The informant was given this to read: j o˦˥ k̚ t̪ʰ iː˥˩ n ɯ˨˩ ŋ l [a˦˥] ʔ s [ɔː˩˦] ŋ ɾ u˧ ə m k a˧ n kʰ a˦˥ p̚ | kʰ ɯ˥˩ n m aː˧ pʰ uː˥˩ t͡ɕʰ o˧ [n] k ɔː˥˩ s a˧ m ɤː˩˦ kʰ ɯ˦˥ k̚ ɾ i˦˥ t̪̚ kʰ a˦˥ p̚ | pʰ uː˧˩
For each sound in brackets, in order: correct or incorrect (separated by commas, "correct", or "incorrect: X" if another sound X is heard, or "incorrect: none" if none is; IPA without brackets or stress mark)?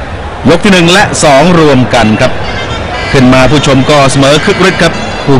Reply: incorrect: ɛ˦˥, correct, incorrect: m